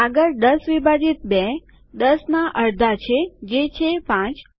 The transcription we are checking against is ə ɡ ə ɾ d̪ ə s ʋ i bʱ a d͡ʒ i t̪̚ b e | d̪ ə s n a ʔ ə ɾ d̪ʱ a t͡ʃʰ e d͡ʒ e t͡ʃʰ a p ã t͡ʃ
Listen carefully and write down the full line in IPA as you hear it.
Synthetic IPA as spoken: a ɡ ə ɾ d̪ ə s ʋ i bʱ a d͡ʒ i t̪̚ b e | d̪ ə s n a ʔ ə ɾ d̪ʱ a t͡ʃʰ e d͡ʒ e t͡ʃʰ e p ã t͡ʃ